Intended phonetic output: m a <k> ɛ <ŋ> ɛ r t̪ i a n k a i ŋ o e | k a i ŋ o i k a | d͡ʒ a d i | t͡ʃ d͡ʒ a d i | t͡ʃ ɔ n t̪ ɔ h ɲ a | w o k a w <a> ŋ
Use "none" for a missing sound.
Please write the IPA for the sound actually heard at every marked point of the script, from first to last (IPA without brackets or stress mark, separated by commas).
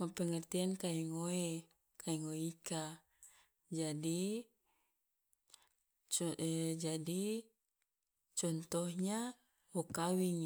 p, ŋ, i